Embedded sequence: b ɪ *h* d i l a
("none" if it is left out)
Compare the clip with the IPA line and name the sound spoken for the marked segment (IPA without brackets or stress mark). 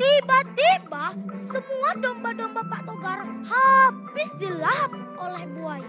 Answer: s